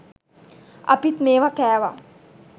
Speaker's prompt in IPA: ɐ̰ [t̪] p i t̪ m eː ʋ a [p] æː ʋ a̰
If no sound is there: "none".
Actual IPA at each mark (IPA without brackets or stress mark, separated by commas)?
none, k